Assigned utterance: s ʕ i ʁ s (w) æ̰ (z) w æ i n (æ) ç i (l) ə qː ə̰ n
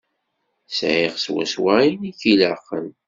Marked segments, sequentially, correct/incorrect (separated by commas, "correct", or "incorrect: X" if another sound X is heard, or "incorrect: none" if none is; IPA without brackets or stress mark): correct, incorrect: s, incorrect: i, correct